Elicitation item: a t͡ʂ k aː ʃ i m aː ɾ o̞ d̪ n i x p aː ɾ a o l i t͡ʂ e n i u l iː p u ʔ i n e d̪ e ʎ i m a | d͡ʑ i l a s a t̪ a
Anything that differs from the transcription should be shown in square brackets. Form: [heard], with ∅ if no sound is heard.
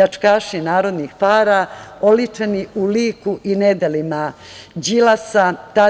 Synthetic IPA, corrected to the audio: a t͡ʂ k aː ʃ i [n] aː ɾ o̞ d̪ n i x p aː ɾ a o l i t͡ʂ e n i u l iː [k] u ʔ i n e d̪ e [l] i m a | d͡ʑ i l a s a t̪ a